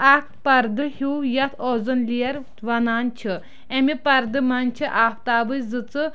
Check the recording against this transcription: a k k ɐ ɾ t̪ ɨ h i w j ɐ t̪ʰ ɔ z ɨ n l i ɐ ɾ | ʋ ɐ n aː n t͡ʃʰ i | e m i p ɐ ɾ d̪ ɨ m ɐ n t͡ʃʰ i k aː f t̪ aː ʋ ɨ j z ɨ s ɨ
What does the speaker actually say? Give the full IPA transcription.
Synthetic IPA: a k p ɐ ɾ d̪ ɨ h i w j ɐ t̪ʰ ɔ z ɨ n l i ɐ ɾ | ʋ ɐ n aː n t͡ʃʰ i | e m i p ɐ ɾ d̪ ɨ m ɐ n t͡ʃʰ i ʔ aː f t̪ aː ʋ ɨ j z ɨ t͡s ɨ